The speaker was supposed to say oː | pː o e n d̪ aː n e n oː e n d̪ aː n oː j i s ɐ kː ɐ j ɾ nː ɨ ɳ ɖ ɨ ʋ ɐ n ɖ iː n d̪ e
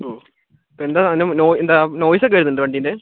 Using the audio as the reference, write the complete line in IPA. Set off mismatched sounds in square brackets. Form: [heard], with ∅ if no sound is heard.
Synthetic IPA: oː | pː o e n d̪ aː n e n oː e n d̪ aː n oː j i s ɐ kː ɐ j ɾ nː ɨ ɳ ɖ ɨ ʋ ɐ [ɳ] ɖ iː n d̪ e